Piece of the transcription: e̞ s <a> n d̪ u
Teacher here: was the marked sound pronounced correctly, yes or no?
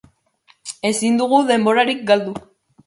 no